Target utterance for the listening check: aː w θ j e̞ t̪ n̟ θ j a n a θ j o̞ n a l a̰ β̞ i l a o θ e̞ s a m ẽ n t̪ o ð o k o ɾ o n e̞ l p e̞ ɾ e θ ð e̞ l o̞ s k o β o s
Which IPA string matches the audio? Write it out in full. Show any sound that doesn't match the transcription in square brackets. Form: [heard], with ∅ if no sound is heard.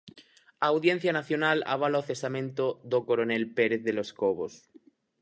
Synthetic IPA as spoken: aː w [ð] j e̞ [∅] n̟ θ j a n a θ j o̞ n a l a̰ β̞ [a] l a o θ e̞ s a m ẽ n t̪ o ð o k o ɾ o n e̞ l p e̞ ɾ e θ ð e̞ l o̞ s k o β o s